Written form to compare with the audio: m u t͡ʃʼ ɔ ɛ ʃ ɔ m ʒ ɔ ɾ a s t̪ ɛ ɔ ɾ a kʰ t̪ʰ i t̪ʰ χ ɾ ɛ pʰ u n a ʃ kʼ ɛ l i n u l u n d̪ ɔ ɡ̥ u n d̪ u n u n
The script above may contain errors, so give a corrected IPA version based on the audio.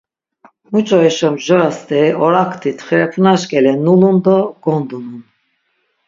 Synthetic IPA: m u t͡ʃʼ ɔ ɛ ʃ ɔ m ʒ ɔ ɾ a s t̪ ɛ ɔ ɾ a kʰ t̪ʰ i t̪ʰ χ ɾ ɛ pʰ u n a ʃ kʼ ɛ l ɛ n u l u n d̪ ɔ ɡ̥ ɔ n d̪ u n u n